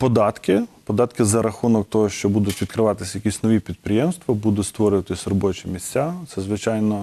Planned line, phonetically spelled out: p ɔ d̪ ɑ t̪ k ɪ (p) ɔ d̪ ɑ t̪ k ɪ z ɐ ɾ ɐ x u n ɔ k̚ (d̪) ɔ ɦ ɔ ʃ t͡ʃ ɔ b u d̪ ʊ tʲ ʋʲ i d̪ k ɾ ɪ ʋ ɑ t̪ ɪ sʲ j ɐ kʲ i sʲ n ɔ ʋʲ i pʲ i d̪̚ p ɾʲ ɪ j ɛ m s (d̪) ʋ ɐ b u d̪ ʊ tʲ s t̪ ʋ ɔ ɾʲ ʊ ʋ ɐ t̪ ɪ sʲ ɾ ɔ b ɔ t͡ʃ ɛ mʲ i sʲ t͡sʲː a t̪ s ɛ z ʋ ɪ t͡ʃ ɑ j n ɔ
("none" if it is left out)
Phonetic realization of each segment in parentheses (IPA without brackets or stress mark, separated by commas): p, t̪, t̪